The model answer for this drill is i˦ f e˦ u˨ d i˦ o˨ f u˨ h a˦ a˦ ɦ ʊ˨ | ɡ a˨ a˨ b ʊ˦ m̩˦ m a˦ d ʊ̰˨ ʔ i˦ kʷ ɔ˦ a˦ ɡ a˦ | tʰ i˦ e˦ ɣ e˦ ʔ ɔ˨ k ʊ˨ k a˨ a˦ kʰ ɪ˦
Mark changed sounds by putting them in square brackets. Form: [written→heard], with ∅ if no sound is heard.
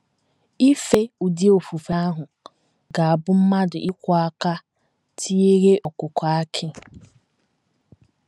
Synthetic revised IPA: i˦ f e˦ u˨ d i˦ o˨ f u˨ [h→f] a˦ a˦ ɦ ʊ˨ | ɡ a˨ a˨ b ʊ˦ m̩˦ m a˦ d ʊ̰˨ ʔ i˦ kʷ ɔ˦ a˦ [ɡ→k] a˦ | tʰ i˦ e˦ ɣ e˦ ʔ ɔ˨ k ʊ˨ k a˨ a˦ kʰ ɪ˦